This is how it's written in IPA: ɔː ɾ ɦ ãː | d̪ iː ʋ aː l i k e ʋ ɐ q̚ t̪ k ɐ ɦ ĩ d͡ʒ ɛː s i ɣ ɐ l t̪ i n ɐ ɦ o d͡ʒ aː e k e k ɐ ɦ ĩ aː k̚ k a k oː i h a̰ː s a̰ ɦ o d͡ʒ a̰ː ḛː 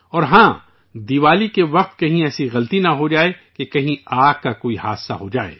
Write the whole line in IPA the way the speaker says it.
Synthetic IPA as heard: ɔː ɾ ɦ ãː | d̪ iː ʋ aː l i k e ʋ ɐ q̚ t̪ k ɐ ɦ ĩ ɛː s i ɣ ɐ l t̪ i n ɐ ɦ o d͡ʒ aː e k e k ɐ ɦ ĩ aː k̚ k a k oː i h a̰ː s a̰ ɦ o d͡ʒ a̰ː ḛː

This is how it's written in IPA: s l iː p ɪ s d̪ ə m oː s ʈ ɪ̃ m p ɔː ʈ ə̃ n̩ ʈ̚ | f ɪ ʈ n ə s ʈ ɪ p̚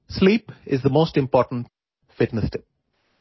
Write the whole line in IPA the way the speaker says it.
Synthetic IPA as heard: s l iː p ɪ z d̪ ə m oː s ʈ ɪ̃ m p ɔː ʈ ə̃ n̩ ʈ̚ | f ɪ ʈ n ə s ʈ ɪ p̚

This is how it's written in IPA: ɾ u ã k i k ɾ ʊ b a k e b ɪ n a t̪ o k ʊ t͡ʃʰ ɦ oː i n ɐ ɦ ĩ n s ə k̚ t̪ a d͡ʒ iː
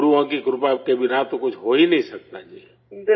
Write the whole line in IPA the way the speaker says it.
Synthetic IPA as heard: ɾ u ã k i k ɾ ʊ p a k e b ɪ n a t̪ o k ʊ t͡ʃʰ ɦ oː i n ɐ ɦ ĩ s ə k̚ t̪ a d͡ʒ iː

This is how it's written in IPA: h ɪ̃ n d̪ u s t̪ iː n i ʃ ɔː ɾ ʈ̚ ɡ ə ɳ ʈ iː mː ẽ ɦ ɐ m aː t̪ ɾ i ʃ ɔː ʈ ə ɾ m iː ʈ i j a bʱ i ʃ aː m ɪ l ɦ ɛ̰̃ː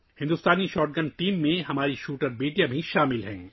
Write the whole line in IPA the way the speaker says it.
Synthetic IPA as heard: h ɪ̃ n d̪ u s t̪ aː n i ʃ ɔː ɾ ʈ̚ ɡ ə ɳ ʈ iː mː ẽ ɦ ɐ m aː ɾ i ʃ uː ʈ ə ɾ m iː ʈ i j a bʱ i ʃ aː m ɪ l ɦ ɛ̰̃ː

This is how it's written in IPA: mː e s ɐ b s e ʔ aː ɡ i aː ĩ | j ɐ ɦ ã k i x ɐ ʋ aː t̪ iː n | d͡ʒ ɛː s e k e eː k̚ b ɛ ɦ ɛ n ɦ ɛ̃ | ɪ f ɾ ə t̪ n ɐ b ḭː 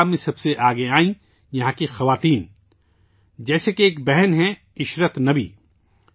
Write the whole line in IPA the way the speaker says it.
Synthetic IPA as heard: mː ẽ s ɐ b s e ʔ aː ɡ e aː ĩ | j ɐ ɦ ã k i x ɐ ʋ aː t̪ iː n | d͡ʒ ɛː s e k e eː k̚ b ɛ ɦ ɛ n ɦ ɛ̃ | ɪ ʃ ɾ ə t̪ n ɐ b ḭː

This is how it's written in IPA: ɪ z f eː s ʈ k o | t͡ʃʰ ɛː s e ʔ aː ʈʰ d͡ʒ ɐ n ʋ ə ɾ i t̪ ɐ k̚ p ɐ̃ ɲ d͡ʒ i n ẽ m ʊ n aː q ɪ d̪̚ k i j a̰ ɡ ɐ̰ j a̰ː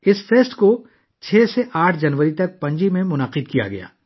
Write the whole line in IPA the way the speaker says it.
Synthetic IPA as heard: ɪ s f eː s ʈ k o | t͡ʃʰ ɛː s e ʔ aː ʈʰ d͡ʒ ɐ n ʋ ə ɾ i t̪ ɐ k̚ p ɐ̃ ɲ d͡ʒ i m ẽ m ʊ n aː q ɪ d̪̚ k i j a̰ ɡ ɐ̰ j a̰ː

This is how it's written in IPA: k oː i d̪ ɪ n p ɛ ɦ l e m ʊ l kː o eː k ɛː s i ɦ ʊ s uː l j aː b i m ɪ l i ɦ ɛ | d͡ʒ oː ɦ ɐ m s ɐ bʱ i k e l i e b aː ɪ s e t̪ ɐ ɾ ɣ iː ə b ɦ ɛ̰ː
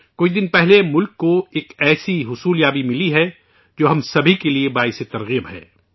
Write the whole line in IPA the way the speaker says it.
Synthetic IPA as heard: k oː i d̪ ɪ n p ɛ ɦ l e m ʊ l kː o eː k ɛː s i ɦ ʊ s uː l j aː b i m ɪ l i ɦ ɛ | d͡ʒ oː ɦ ɐ m s ɐ bʱ i k e l i e b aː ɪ s e t̪ ɐ ɾ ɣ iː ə b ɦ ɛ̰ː

